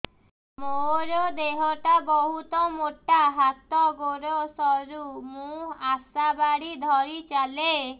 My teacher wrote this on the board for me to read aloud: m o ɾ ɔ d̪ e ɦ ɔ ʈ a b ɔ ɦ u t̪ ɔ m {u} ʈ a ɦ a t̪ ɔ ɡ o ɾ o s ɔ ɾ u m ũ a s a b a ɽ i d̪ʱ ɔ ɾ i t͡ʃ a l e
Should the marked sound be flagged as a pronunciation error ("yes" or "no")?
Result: yes